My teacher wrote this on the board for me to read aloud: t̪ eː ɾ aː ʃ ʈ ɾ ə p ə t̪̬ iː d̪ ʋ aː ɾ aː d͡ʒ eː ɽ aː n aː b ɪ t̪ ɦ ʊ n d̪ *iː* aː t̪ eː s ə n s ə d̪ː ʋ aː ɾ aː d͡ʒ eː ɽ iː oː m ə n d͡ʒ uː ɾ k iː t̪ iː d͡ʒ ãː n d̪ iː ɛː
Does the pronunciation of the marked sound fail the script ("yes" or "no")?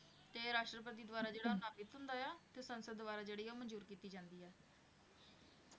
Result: yes